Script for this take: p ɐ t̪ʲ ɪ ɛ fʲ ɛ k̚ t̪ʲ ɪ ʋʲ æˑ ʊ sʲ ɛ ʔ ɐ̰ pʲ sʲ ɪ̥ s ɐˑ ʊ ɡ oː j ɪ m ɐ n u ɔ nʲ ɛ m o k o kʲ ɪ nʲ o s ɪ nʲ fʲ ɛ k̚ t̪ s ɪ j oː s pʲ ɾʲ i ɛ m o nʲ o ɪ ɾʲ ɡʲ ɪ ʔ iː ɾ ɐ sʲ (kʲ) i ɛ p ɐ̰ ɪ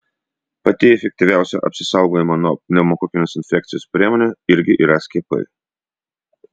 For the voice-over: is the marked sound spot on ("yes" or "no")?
yes